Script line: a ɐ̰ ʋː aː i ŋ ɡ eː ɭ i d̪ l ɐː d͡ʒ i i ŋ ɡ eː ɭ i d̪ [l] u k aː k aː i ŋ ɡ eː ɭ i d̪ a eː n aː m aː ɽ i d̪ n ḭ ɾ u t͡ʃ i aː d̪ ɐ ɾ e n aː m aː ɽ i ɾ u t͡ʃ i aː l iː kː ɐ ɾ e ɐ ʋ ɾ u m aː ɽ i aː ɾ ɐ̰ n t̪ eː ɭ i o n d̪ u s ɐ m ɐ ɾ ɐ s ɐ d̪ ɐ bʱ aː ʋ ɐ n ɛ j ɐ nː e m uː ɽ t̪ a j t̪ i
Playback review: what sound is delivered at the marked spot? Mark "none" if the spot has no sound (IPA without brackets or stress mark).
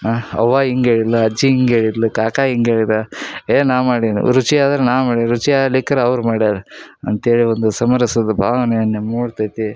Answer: l